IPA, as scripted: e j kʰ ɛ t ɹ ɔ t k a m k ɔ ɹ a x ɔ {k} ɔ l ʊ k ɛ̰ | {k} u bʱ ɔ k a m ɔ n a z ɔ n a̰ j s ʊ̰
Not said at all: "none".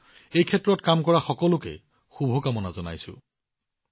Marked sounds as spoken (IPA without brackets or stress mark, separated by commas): k, x